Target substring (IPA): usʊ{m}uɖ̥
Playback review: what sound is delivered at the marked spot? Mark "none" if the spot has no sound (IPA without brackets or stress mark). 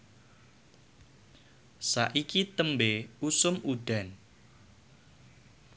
m